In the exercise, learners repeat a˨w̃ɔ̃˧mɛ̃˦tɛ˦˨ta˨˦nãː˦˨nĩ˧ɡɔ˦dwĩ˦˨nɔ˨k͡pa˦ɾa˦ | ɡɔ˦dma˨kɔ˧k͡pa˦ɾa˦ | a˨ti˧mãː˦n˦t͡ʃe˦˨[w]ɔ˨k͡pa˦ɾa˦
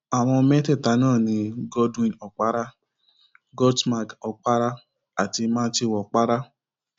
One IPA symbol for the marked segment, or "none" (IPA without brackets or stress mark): w